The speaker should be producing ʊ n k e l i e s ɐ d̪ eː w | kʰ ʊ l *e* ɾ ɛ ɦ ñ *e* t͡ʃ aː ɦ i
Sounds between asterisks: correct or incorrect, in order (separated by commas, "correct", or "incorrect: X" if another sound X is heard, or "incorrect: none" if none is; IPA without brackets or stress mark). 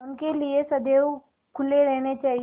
correct, correct